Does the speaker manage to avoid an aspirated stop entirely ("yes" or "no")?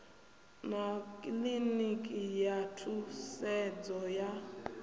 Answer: no